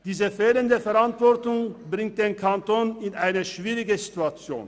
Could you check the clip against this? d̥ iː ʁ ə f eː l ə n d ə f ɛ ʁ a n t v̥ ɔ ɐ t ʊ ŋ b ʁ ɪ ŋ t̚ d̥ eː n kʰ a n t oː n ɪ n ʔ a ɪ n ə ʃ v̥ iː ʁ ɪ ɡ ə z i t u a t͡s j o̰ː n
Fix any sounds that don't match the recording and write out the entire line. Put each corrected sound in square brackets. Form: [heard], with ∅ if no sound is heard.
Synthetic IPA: d̥ iː [z] ə f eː l ə n d ə f ɛ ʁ a n t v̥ ɔ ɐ t ʊ ŋ b ʁ ɪ ŋ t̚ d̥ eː n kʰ a n t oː n ɪ n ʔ a ɪ n ə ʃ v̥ iː ʁ ɪ ɡ ə z i t u a t͡s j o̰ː n